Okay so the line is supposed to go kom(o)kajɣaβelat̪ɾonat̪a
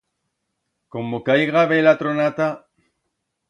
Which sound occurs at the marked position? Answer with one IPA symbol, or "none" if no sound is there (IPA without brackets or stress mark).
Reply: o